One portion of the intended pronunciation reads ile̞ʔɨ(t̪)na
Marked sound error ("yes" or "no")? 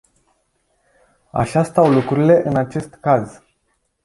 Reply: yes